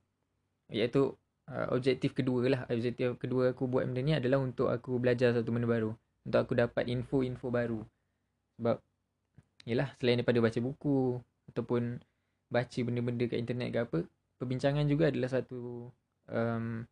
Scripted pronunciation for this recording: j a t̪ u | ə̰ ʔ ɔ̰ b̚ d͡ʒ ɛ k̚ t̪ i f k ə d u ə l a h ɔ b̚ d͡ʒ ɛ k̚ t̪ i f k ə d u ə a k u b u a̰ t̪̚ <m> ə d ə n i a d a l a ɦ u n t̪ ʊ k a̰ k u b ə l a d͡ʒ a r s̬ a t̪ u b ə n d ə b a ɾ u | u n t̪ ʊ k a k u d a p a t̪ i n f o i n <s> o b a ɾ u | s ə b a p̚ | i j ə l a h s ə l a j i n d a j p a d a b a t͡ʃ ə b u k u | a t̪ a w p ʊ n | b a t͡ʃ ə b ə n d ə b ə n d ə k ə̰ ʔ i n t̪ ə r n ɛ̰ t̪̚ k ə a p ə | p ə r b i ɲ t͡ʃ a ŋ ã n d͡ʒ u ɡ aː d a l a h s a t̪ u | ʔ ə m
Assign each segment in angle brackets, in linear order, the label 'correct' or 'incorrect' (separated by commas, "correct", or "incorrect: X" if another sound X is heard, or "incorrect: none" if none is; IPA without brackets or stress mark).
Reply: correct, incorrect: f